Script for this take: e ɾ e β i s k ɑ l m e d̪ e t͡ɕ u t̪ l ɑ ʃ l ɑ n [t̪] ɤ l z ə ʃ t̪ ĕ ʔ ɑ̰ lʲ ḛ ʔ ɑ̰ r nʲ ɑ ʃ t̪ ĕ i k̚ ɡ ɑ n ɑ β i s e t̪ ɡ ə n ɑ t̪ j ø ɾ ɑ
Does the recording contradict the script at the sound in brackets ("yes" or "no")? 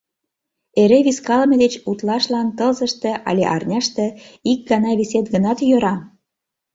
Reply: no